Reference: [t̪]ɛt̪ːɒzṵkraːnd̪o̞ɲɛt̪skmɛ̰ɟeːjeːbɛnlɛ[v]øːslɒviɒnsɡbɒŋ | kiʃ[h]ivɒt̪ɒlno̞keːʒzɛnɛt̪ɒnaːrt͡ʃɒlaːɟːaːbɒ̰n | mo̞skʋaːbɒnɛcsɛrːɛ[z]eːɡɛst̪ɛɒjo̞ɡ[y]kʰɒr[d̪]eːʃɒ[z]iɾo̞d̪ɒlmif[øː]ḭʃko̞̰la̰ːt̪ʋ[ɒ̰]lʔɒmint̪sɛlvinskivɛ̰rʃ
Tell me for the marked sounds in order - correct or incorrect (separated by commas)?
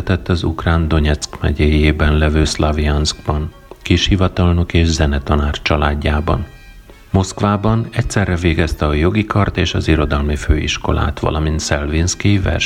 correct, correct, correct, incorrect, incorrect, incorrect, correct, correct, correct